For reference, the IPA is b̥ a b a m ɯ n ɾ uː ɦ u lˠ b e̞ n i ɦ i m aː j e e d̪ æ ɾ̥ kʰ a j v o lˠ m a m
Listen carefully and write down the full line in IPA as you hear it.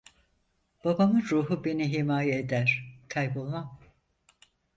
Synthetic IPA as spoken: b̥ a b a m ɯ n ɾ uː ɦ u b e̞ n i ɦ i m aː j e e d̪ æ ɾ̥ kʰ a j b o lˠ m a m